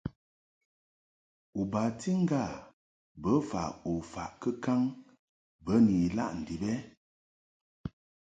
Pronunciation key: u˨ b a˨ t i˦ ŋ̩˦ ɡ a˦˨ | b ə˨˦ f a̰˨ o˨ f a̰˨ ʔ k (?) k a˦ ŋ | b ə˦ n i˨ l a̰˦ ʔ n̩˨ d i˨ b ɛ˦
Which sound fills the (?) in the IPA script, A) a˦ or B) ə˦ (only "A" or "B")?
B